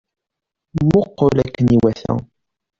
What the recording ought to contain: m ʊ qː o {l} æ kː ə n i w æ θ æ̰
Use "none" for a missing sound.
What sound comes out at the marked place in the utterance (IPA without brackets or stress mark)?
l